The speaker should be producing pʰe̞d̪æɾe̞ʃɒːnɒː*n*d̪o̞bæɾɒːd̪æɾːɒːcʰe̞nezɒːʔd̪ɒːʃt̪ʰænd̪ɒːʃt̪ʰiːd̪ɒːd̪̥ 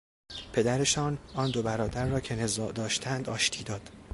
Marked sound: correct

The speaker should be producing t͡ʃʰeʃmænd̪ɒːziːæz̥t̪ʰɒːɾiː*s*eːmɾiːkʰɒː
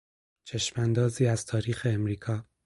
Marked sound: incorrect: x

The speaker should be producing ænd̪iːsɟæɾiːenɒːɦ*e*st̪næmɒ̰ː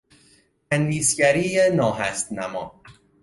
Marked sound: incorrect: æ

